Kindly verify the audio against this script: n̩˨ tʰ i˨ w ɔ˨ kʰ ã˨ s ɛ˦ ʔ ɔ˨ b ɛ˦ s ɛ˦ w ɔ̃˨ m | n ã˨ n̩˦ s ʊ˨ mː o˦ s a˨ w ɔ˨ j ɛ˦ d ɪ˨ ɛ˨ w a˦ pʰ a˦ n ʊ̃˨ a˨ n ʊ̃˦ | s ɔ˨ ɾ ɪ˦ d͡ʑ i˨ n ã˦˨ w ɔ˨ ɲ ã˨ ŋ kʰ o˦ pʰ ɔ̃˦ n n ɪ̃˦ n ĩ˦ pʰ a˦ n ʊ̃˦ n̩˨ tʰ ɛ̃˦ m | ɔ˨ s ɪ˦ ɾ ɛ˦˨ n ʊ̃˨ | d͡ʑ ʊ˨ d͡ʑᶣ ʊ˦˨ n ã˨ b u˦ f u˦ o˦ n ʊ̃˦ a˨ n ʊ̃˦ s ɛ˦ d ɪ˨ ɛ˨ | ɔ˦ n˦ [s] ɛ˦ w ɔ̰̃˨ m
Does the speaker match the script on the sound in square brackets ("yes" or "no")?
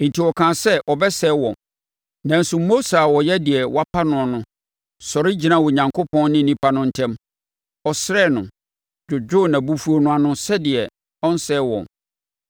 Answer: yes